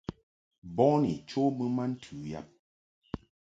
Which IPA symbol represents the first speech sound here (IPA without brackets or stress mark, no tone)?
b